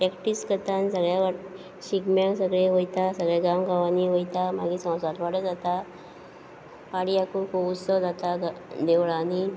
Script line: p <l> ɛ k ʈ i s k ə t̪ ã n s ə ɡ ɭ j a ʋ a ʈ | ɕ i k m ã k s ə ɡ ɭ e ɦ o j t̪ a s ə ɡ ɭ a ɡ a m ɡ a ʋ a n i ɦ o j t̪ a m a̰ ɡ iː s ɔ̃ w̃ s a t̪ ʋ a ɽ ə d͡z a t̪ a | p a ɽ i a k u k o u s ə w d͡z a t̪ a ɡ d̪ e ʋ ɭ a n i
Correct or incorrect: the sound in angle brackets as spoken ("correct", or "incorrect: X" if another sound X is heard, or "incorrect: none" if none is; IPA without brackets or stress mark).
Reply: incorrect: ɾ